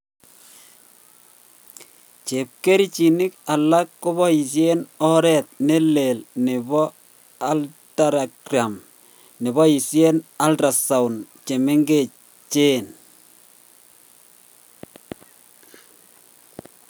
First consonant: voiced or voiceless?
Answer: voiceless